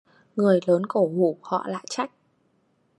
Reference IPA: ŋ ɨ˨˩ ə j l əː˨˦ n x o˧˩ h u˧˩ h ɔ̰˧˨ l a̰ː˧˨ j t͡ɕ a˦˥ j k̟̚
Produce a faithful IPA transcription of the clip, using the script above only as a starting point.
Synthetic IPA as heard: ŋ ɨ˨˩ ə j l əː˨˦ n k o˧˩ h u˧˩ h ɔ̰˧˨ l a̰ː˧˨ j t͡ɕ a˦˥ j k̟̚